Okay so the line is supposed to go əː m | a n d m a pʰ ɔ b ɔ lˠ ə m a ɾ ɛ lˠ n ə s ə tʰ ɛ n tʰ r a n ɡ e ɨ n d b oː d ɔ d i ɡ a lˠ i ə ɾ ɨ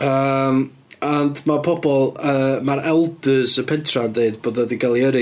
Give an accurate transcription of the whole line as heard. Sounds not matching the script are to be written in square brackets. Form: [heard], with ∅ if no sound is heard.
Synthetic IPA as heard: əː m | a n d m a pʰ ɔ b ɔ lˠ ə m a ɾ ɛ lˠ [d] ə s ə [pʰ] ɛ n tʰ r a n [d] e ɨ [∅] d b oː d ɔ d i ɡ a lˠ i ə ɾ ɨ